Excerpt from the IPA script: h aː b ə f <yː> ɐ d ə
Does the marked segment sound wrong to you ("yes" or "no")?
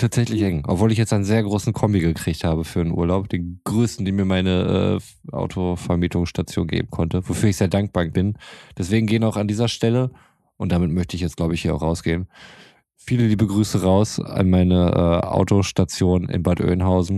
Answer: no